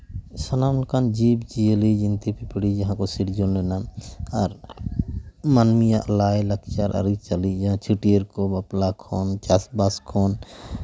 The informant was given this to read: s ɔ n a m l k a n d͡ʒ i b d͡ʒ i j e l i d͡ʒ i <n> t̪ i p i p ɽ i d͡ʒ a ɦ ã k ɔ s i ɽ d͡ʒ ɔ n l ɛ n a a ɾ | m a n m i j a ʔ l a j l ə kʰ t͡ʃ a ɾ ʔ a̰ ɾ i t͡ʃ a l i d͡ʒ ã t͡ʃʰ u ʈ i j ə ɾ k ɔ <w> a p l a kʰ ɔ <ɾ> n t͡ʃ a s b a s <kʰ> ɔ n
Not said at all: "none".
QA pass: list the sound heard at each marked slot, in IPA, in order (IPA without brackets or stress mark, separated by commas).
n, b, none, kʰ